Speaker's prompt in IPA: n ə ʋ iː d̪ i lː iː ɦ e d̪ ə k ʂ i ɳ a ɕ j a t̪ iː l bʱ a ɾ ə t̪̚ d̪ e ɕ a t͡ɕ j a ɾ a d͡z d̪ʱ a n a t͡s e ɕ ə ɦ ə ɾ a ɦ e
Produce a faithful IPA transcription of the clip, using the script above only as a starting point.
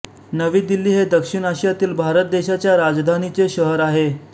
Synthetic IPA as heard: n ə ʋ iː d̪ i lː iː ɦ e d̪ ə k ʂ i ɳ a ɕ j a t̪ iː l bʱ a ɾ ə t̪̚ d̪ e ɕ a t͡ɕ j a ɾ a d͡z d̪ʱ a n i t͡s e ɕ ə ɦ ə ɾ a ɦ e